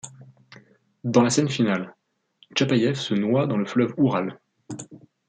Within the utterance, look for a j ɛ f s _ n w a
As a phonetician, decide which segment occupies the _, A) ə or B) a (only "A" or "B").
A